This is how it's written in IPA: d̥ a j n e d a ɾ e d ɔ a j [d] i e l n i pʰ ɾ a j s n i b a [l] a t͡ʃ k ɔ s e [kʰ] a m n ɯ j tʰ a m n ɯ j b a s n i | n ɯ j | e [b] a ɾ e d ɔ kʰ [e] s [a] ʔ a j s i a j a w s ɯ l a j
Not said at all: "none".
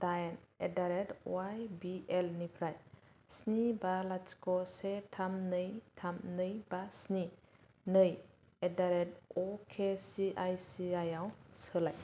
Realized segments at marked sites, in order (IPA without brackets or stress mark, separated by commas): b, l, tʰ, d, e, i